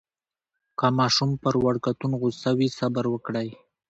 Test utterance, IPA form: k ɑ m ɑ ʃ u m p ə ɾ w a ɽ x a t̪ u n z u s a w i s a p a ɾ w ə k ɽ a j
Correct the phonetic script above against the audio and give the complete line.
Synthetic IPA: k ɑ m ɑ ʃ u m p ə ɾ w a ɽ k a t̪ u n ɣ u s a w i s a b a ɾ w ə k ɽ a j